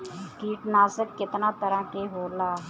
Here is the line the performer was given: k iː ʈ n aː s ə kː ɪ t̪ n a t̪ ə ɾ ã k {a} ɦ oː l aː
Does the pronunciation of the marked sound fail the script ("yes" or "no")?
yes